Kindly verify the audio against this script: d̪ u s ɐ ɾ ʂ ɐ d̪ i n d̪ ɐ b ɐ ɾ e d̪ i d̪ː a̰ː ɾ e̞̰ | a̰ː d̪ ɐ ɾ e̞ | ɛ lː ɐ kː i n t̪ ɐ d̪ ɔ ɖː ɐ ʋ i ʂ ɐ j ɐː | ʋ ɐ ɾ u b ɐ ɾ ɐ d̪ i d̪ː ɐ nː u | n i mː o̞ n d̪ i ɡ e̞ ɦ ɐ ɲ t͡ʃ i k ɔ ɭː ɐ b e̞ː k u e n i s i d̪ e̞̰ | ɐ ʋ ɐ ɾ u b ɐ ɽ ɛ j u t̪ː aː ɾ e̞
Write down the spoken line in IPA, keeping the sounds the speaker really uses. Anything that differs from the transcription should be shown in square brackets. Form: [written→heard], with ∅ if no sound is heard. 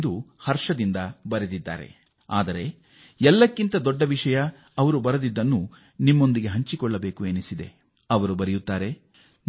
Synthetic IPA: d̪ u [s→h] ɐ ɾ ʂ ɐ d̪ i n d̪ ɐ b ɐ ɾ e d̪ i d̪ː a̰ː ɾ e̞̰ | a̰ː d̪ ɐ ɾ e̞ | ɛ lː ɐ kː i n t̪ ɐ d̪ ɔ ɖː ɐ ʋ i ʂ ɐ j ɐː | ʋ ɐ ɾ u b ɐ ɾ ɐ d̪ i d̪ː ɐ nː u | n i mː o̞ n d̪ i ɡ e̞ ɦ ɐ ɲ t͡ʃ i k ɔ ɭː ɐ b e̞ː k u e n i s i d̪ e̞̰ | ɐ ʋ ɐ ɾ u b ɐ [ɽ→ɾ] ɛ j u t̪ː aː ɾ e̞